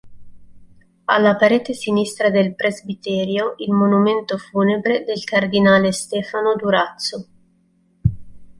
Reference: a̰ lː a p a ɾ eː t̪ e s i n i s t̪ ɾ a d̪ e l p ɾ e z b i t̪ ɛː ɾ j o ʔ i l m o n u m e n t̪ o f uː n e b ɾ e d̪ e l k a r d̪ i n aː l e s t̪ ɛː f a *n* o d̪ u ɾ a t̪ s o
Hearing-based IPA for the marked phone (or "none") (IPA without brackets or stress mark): n